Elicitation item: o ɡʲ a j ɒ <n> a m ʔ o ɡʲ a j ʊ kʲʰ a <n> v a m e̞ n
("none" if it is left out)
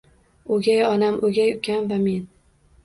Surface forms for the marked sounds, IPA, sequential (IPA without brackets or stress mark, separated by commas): n, n